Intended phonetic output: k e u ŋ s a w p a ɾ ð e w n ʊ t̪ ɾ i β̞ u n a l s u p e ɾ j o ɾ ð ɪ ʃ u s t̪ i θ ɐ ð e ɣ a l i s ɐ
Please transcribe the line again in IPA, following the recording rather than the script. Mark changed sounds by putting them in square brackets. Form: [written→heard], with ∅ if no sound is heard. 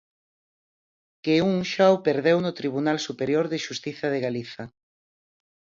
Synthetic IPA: k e u ŋ [s→ʃ] a w p [a→e] ɾ ð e w n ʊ t̪ ɾ i β̞ u n a l s u p e ɾ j o ɾ ð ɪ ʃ u s t̪ i θ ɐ ð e ɣ a l i [s→θ] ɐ